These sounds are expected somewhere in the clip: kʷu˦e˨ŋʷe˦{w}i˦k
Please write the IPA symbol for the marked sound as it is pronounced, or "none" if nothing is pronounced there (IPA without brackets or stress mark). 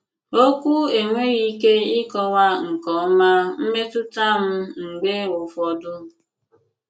ɣ